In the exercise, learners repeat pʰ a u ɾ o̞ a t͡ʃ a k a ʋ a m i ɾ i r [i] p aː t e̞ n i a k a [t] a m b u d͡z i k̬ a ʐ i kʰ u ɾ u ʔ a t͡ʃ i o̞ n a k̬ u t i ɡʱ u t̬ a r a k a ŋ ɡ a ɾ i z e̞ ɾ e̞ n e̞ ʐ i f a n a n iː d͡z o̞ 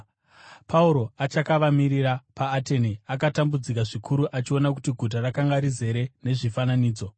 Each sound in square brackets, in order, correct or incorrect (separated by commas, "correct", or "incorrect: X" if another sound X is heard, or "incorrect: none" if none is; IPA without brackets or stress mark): incorrect: a, correct